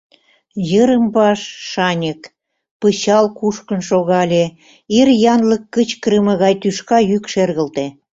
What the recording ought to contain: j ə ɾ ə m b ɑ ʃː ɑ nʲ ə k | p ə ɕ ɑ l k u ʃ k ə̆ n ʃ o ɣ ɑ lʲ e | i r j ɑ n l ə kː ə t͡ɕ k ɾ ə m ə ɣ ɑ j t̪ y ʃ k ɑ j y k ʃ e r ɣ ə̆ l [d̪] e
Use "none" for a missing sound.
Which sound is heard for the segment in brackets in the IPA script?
t̪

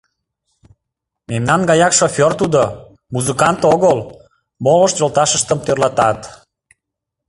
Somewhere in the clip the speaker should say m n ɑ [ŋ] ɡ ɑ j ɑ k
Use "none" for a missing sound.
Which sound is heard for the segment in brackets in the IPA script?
n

